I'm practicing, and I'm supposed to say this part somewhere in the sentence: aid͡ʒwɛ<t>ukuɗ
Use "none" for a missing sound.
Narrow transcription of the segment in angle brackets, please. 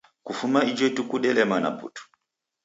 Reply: t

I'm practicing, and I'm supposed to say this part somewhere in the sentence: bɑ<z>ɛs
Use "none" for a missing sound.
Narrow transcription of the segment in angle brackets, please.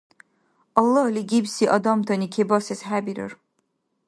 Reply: s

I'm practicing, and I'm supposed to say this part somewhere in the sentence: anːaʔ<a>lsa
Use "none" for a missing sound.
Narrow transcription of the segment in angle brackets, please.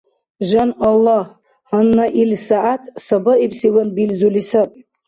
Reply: i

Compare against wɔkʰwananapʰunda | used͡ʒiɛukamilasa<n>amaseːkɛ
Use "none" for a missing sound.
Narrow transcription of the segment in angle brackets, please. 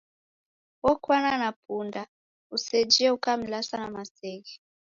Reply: n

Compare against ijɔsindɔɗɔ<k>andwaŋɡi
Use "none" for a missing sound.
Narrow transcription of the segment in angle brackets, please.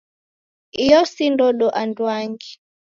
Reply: ʔ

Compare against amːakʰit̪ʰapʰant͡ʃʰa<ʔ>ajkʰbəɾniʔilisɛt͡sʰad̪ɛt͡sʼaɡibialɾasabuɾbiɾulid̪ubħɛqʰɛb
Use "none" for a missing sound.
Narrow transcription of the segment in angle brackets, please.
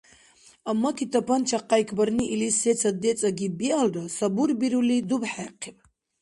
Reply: q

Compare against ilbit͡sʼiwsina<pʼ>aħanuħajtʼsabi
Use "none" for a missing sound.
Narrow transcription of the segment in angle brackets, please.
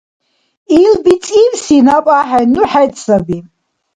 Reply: pʼ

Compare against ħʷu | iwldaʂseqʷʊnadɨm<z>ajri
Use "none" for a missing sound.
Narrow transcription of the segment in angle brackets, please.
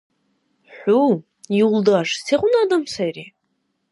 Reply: s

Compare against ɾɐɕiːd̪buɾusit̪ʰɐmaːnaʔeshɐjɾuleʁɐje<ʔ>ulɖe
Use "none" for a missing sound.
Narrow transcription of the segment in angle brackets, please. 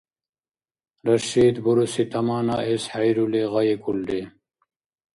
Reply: k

